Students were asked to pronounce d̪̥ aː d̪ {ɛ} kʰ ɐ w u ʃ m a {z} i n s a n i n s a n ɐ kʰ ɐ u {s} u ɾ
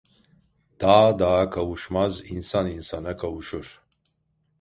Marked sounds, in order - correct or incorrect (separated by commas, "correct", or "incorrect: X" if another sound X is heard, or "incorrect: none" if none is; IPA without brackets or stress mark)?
incorrect: a, correct, incorrect: ʃ